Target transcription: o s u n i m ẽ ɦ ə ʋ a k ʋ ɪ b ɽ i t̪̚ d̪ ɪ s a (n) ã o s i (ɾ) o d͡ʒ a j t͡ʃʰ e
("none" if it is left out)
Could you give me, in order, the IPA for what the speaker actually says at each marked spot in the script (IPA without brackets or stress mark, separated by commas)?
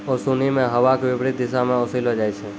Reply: m, l